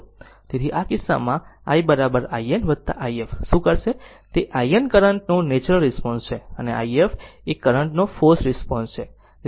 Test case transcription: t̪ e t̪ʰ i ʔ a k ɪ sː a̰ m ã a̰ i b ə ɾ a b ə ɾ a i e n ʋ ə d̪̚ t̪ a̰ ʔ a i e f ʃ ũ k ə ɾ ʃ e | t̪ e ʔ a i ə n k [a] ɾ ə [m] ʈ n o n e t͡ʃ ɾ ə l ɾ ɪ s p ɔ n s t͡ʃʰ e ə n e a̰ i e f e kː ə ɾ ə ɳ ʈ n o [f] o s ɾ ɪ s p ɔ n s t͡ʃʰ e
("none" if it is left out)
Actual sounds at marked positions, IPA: ə, ɳ, f

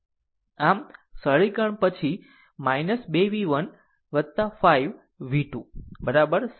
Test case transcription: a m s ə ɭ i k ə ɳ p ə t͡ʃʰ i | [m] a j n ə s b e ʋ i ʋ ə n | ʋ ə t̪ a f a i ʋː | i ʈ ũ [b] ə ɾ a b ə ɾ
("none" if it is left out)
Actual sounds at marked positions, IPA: m, b

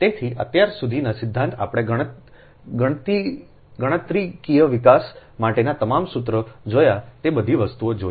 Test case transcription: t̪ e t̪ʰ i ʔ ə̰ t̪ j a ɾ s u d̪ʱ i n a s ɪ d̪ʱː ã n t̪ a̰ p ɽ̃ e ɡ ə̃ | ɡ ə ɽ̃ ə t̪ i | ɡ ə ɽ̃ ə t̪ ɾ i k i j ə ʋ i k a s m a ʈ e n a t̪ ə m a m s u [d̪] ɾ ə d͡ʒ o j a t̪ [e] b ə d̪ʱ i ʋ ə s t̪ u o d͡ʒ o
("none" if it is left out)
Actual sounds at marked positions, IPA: t̪, e

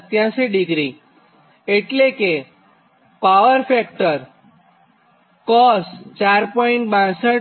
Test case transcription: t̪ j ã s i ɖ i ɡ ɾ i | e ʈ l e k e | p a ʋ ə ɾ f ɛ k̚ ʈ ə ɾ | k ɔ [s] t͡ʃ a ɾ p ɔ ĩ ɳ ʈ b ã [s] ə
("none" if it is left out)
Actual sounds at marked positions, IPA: s, s

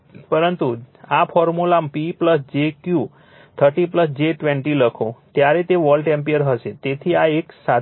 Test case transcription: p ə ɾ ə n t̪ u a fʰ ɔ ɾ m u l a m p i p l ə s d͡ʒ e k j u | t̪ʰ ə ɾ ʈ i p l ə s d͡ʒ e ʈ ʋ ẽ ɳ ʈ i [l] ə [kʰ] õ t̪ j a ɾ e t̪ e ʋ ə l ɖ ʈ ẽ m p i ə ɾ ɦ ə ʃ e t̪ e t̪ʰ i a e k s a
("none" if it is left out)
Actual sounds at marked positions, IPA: l, kʰ

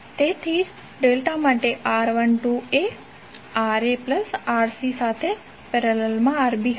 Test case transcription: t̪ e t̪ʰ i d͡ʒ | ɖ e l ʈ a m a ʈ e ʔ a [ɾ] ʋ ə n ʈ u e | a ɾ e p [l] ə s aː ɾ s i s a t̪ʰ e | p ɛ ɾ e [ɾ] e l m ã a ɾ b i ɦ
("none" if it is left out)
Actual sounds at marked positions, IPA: ɾ, l, l

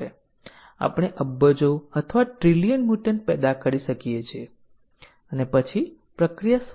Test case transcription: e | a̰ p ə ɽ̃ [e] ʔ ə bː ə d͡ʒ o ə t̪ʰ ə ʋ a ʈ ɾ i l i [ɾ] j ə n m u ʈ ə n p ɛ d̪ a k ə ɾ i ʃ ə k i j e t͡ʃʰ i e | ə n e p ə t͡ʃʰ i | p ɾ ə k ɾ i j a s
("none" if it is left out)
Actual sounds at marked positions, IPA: e, none

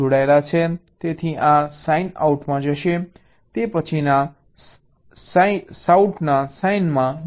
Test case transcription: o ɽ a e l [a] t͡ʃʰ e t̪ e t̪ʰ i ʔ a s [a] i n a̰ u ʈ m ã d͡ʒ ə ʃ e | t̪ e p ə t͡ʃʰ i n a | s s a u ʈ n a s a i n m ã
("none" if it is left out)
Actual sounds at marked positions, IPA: a, a

